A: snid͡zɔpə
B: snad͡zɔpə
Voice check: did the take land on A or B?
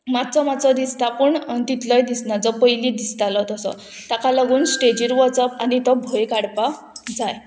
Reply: B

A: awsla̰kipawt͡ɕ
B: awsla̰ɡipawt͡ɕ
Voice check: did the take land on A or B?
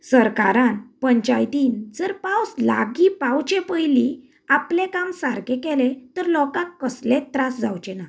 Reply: B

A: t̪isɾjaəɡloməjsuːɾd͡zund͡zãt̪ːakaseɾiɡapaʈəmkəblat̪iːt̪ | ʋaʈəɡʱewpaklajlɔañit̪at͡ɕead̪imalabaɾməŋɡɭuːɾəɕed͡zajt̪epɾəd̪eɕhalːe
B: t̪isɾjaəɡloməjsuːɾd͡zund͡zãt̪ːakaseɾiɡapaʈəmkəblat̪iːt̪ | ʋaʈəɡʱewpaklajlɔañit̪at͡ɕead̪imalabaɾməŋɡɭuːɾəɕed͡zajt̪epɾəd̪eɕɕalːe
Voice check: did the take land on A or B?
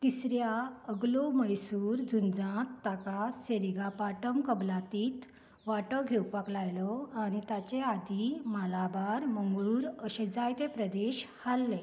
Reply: A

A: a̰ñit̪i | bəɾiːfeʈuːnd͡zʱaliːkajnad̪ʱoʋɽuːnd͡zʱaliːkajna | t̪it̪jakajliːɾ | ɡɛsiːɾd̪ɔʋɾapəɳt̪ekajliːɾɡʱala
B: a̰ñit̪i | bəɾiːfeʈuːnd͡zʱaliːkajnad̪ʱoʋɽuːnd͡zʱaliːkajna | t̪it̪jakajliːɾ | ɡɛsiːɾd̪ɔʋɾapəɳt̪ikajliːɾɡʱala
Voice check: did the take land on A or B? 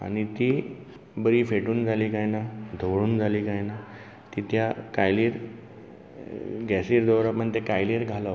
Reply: A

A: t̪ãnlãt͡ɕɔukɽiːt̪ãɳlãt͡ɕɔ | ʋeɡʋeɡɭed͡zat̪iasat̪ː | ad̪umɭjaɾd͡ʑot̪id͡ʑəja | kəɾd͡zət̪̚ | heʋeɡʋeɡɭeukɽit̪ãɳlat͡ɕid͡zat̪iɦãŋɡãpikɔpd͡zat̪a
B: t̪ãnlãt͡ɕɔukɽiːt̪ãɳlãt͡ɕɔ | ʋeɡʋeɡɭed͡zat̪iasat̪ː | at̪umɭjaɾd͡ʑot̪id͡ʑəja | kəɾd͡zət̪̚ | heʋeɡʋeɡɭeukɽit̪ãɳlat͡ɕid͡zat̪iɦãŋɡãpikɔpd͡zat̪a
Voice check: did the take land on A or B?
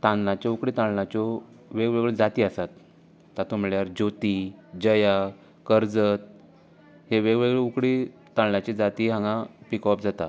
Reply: B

